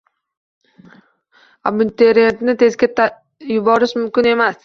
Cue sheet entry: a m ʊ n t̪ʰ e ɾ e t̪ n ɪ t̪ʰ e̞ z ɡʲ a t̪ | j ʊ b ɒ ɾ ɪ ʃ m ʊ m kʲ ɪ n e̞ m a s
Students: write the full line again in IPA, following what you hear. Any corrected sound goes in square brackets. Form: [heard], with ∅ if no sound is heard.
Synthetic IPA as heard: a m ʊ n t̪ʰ e ɾ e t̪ n ɪ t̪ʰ e̞ z ɡʲ a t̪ | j ʊ b ɒ ɾ ɪ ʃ m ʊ m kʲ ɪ n e̞ m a s